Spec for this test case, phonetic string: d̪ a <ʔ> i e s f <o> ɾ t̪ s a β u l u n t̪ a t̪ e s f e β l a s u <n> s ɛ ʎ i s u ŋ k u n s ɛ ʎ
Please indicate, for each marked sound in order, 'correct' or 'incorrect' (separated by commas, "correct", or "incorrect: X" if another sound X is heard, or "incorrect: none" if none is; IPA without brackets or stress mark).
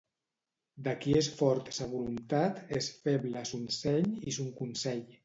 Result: incorrect: k, incorrect: ɔ, correct